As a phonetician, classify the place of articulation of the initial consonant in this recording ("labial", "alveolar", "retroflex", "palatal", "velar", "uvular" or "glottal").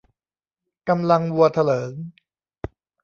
velar